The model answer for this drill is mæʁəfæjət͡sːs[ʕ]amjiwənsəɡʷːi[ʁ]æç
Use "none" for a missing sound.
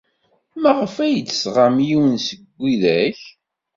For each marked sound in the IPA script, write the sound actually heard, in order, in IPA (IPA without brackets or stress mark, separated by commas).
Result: ʁ, ð